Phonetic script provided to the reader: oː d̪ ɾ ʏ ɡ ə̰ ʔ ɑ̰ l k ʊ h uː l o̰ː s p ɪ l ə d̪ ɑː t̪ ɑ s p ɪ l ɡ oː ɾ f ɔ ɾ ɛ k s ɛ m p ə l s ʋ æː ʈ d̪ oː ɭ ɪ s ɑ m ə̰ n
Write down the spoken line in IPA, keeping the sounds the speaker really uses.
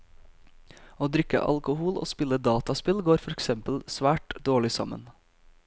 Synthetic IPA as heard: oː d̪ ɾ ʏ k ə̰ ʔ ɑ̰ l k ʊ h uː l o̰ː s p ɪ l ə d̪ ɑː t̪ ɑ s p ɪ l ɡ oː ɾ f ɔ ɾ ɛ k s ɛ m p ə l s ʋ æː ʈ d̪ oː ɭ ɪ s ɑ m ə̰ n